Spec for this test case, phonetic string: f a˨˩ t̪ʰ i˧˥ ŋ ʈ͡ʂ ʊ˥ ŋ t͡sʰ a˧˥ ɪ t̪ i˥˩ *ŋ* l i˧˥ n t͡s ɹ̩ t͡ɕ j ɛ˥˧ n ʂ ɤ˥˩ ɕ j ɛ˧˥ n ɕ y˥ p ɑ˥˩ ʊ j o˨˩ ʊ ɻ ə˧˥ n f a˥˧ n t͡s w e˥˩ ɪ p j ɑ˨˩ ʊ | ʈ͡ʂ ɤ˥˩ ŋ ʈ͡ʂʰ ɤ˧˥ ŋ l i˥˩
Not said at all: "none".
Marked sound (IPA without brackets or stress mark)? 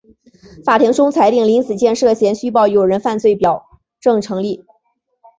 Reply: ŋ